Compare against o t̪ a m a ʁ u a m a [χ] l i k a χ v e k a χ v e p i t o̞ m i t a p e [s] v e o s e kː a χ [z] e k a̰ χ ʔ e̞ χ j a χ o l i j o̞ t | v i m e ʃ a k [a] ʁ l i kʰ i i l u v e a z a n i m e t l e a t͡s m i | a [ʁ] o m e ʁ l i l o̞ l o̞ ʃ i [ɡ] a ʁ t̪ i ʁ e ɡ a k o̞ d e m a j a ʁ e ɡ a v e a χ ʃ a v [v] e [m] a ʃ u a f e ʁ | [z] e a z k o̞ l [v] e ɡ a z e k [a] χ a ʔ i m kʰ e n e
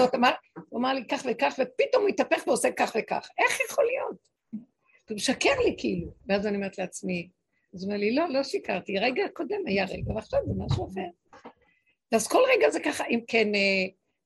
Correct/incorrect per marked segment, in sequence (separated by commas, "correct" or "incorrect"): incorrect, incorrect, incorrect, incorrect, incorrect, incorrect, incorrect, correct, incorrect, incorrect, correct